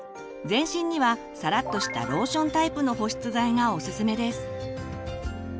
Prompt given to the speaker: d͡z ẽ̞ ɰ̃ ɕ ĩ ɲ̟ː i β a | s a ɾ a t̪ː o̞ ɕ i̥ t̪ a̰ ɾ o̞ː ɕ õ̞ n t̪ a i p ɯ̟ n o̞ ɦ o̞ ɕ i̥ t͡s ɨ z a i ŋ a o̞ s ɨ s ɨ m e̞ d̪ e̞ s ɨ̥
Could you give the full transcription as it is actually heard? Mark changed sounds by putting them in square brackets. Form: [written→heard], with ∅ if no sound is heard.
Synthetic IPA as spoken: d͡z ẽ̞ ɰ̃ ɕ ĩ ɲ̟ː i β a | s a ɾ a t̪ː o̞ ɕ i̥ t̪ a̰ ɾ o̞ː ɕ õ̞ n t̪ a i p ɯ̟ n o̞ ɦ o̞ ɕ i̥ t͡s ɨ z a i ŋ a o̞ s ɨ s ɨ m e̞ d̪ e̞ s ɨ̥